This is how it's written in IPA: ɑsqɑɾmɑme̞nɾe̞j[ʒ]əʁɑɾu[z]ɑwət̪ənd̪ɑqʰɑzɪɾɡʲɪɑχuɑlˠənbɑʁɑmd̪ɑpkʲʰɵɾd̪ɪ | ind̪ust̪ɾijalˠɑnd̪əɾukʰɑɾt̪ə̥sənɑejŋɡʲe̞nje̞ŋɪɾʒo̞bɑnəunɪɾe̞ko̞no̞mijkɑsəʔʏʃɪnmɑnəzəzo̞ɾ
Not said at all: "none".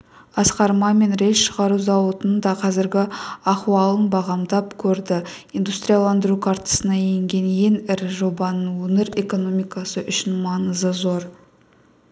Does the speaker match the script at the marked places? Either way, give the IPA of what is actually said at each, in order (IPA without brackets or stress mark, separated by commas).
ʃ, z